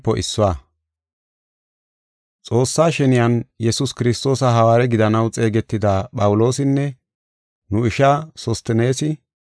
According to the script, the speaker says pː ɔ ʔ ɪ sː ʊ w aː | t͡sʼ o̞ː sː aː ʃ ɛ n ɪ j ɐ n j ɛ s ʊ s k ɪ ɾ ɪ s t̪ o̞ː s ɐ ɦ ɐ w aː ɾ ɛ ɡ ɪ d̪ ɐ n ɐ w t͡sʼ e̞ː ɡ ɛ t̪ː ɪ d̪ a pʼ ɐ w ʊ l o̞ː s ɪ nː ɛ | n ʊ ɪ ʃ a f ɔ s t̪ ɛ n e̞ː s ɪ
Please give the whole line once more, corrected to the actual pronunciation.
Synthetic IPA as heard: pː ɔ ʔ ɪ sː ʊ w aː | t͡sʼ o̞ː sː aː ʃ ɛ n ɪ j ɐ n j ɛ s ʊ s k ɪ ɾ ɪ s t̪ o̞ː s ɐ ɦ ɐ w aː ɾ ɛ ɡ ɪ d̪ ɐ n ɐ w t͡sʼ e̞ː ɡ ɛ t̪ː ɪ d̪ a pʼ ɐ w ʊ l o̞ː s ɪ nː ɛ | n ʊ ɪ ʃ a s ɔ s t̪ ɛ n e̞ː s ɪ